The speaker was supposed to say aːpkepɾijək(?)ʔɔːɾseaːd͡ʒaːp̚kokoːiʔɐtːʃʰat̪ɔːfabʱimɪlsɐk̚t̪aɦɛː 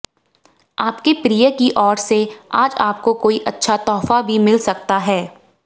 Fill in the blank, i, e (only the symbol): i